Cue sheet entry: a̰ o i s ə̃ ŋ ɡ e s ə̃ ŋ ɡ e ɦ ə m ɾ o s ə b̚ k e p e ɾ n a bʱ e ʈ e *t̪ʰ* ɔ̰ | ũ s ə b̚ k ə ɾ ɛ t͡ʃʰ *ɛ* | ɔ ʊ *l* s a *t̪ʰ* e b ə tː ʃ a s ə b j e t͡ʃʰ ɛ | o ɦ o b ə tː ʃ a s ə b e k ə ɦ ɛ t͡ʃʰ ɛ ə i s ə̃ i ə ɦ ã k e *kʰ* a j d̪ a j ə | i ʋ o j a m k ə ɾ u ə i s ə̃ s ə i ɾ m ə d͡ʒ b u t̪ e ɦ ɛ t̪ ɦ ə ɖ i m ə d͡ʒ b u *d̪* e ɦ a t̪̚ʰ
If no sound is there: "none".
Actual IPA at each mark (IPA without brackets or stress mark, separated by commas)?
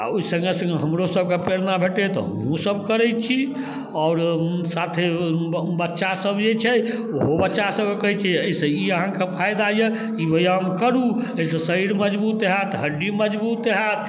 t̪, i, ɾ, t̪ʰ, pʰ, t̪